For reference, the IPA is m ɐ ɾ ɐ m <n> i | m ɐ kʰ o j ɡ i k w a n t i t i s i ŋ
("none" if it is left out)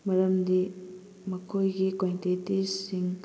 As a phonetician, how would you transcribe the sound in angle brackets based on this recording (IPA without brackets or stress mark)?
d